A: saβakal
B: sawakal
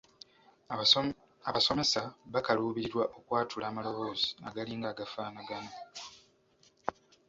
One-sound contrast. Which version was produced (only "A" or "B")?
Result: A